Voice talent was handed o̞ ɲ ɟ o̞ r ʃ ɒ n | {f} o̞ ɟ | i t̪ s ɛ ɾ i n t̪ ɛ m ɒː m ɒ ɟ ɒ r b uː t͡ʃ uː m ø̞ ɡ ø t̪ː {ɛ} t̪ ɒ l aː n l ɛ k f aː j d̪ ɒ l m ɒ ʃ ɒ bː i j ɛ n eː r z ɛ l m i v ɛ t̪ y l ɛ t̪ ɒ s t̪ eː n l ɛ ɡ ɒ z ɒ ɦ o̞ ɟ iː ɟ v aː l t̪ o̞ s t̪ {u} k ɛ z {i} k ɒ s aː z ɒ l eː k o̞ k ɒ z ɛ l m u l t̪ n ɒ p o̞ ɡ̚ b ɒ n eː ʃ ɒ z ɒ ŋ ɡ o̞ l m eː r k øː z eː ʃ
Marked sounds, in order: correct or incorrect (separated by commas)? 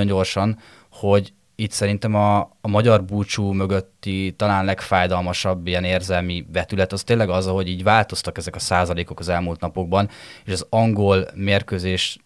incorrect, incorrect, incorrect, incorrect